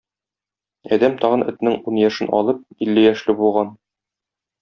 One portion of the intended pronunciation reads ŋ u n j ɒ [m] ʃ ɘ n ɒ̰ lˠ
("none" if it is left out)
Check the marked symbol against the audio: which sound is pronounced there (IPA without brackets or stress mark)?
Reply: none